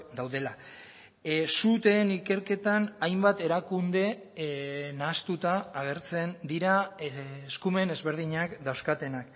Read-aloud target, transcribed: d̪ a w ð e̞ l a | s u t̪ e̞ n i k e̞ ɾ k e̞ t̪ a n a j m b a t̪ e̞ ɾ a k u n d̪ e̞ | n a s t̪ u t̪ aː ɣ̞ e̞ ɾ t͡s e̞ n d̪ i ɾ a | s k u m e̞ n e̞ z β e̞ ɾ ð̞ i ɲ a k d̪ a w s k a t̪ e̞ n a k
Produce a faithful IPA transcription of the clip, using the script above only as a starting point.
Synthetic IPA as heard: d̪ a w ð e̞ l a | s u t̪ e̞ n i k e̞ ɾ k e̞ t̪ a n a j m b a t̪ e̞ ɾ a k u n d̪ e̞ | n a s t̪ u t̪ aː ɣ̞ e̞ ɾ t͡s e̞ n d̪ i ɾ a | s k u m e̞ n e̞ z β e̞ ɾ ð̞ i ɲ a k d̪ a w s k a t̪ e̞ n a k